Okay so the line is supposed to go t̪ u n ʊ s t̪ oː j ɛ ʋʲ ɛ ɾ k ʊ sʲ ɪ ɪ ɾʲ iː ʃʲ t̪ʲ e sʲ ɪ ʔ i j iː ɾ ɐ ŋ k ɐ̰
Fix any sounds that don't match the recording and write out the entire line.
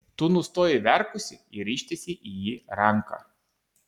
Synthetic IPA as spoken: t̪ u n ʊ s t̪ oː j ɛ ʋʲ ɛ ɾ k ʊ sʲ ɪ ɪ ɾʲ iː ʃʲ t̪ʲ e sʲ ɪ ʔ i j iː ɾ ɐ ŋ k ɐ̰

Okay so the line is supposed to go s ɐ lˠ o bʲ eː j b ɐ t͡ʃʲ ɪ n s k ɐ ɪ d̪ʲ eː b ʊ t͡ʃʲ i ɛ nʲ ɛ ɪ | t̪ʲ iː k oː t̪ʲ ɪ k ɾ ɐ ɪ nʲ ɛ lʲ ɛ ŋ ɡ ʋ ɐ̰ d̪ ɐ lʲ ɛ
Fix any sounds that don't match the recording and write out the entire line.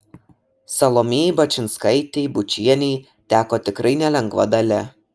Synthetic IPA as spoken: s ɐ lˠ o mʲ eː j b ɐ t͡ʃʲ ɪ n s k ɐ ɪ t̪ʲ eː b ʊ t͡ʃʲ i ɛ nʲ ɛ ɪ | t̪ʲ æː k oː t̪ʲ ɪ k ɾ ɐ ɪ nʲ ɛ lʲ ɛ ŋ ɡ ʋ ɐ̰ d̪ ɐ lʲ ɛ

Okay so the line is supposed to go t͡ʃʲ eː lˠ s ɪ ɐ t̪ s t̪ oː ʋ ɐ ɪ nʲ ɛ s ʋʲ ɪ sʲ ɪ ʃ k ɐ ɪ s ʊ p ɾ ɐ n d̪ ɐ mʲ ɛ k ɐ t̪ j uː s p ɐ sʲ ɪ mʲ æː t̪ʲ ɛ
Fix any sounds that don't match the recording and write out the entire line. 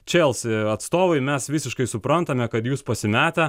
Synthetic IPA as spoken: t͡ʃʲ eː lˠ s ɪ ɐ t̪ s t̪ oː ʋ ɐ ɪ mʲ ɛ s ʋʲ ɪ sʲ ɪ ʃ k ɐ ɪ s ʊ p ɾ ɐ n t̪ ɐ mʲ ɛ k ɐ t̪ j uː s p ɐ sʲ ɪ mʲ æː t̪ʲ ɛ

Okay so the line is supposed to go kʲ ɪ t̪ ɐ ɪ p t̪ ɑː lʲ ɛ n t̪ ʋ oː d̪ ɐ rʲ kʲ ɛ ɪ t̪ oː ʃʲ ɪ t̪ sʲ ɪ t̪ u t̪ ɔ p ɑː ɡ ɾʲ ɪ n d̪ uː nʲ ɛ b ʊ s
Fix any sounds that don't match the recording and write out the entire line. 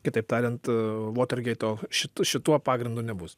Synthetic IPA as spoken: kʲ ɪ t̪ ɐ ɪ p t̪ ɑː ɾʲ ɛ n t̪ ʋ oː t̪ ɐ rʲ ɡʲ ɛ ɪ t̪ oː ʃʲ ɪ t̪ ʃʲ ɪ t̪ u ɔ p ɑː ɡ ɾʲ ɪ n d̪ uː nʲ ɛ b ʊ s

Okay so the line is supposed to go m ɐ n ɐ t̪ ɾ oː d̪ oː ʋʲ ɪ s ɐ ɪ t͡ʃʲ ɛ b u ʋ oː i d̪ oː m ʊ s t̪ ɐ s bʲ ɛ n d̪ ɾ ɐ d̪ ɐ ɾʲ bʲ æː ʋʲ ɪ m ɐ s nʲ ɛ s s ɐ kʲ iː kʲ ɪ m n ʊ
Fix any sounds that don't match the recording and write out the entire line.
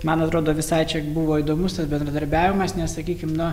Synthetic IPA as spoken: m ɐ n ɐ t̪ ɾ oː d̪ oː ʋʲ ɪ s ɐ ɪ t͡ʃʲ ɛ b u ʋ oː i d̪ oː m ʊ s t̪ ɐ s bʲ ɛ n d̪ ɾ ɐ d̪ ɐ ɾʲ bʲ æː ʋʲ ɪ m ɐ s nʲ ɛ s s ɐ kʲ iː kʲ ɪ m n ʊ

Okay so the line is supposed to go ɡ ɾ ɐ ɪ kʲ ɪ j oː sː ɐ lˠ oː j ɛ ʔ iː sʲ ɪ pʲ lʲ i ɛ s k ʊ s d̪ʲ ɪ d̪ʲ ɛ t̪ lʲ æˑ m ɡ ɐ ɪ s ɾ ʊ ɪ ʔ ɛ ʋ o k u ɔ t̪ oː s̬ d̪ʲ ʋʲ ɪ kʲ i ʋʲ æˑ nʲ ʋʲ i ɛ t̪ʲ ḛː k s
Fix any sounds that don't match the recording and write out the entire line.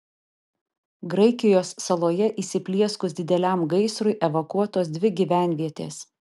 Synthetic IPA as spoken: ɡ ɾ ɐ ɪ kʲ ɪ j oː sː ɐ lˠ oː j ɛ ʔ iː sʲ ɪ pʲ lʲ i ɛ s k ʊ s d̪ʲ ɪ d̪ʲ ɛ lʲ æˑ m ɡ ɐ ɪ s ɾ ʊ ɪ ʔ ɛ ʋ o k u ɔ t̪ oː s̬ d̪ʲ ʋʲ ɪ ɡʲ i ʋʲ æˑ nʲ ʋʲ i ɛ t̪ʲ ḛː s

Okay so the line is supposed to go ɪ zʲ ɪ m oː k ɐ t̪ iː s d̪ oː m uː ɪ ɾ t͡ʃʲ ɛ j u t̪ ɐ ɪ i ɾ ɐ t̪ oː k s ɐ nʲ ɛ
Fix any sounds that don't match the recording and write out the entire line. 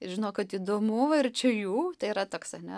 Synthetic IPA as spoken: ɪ ʒʲ ɪ n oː k ɐ t̪ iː d̪ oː m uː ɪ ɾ t͡ʃʲ ɛ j uː t̪ ɐ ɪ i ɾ ɐ t̪ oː k s ɐ nʲ ɛ

